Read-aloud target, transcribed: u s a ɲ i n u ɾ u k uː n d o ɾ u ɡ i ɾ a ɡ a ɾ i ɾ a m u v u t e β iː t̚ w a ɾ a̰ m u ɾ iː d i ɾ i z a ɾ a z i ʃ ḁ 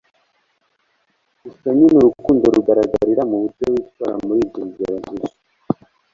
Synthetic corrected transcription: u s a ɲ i n u ɾ u k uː n d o ɾ u ɡ a ɾ a ɡ a ɾ i ɾ a m u β u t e w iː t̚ w a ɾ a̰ m u ɾ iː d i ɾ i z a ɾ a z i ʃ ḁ